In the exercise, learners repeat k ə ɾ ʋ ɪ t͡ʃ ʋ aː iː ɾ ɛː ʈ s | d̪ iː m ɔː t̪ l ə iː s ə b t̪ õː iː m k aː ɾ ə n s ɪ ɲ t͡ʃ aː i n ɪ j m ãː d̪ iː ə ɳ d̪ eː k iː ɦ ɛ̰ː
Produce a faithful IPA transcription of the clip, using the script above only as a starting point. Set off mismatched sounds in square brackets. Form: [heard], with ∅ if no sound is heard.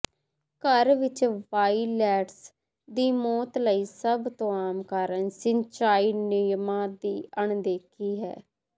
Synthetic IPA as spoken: k ə ɾ ʋ ɪ t͡ʃ ʋ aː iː [l] ɛː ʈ s | d̪ iː m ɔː t̪ l ə iː s ə b t̪ õː [aː] m k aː ɾ ə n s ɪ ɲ t͡ʃ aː [iː] n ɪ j m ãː d̪ iː ə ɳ d̪ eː [kʰ] iː ɦ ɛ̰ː